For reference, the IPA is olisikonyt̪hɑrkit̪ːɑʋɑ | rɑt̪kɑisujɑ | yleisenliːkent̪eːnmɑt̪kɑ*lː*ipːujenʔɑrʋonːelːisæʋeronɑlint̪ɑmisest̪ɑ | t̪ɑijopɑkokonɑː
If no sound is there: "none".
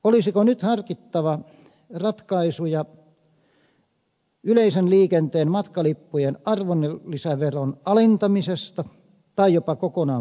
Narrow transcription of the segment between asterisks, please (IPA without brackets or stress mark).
l